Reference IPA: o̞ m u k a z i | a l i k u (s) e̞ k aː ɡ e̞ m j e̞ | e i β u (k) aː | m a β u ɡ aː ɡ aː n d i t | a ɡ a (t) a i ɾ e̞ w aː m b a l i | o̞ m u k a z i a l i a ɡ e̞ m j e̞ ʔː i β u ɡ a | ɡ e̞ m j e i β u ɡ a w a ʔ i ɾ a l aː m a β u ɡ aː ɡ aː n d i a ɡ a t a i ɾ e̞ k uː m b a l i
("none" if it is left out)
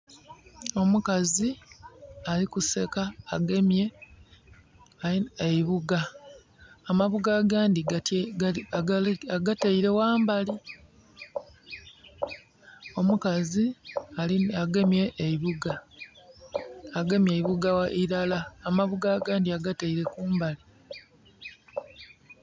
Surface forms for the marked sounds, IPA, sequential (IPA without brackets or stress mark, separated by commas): s, ɡ, t